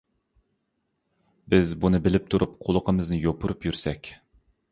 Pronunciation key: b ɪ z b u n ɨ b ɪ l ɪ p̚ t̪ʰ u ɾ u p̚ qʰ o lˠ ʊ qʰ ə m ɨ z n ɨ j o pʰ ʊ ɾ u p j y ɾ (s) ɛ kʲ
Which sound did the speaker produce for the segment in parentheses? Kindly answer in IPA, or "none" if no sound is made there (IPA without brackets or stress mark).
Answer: s